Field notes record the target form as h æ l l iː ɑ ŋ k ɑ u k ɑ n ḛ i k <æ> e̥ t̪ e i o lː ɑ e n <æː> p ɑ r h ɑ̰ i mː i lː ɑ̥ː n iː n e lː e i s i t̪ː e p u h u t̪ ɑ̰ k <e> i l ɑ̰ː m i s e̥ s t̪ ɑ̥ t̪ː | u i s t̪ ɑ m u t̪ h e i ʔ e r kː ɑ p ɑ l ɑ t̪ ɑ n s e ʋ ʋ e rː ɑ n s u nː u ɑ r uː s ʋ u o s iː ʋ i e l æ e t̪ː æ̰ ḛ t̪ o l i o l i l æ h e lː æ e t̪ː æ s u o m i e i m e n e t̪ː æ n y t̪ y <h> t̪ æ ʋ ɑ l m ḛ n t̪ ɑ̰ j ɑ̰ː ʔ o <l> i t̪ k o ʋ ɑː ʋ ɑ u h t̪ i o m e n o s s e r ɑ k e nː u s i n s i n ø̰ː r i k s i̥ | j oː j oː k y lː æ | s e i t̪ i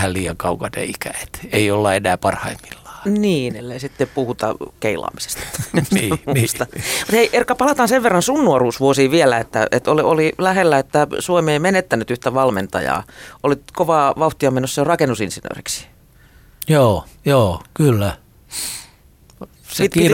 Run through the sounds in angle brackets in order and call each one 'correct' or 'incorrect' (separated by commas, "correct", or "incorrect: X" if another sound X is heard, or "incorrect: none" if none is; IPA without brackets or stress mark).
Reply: correct, correct, correct, correct, correct